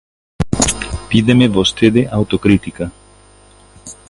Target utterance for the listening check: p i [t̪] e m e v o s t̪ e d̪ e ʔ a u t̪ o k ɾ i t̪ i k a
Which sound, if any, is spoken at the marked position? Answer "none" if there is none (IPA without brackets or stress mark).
d̪